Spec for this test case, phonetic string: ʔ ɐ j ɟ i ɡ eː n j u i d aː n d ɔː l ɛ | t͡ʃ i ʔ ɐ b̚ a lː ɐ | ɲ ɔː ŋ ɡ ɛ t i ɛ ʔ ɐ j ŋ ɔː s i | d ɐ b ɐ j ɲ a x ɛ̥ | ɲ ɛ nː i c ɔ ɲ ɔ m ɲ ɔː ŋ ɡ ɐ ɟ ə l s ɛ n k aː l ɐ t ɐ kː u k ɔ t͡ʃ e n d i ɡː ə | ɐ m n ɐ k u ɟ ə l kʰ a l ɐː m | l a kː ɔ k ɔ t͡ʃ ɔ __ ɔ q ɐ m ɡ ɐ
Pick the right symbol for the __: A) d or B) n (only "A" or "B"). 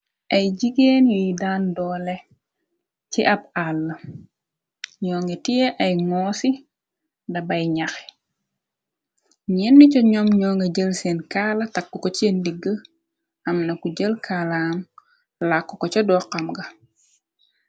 A